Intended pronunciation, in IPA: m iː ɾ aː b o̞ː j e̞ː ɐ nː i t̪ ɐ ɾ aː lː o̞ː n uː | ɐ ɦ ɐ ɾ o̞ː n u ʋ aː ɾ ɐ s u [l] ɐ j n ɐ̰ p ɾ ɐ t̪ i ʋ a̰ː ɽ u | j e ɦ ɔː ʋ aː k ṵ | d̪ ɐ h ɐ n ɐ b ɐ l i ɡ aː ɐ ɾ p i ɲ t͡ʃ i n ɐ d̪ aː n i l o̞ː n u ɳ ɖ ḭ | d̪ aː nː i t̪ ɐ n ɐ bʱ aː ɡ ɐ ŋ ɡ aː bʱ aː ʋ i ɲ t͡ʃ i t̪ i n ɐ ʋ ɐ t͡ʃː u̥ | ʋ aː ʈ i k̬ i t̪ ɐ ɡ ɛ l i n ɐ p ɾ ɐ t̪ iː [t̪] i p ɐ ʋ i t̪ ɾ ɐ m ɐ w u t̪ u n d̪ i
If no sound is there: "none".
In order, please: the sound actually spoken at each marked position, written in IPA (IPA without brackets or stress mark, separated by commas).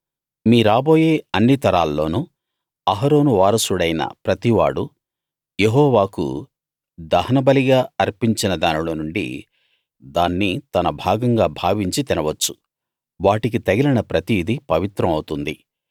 ɽ, d̪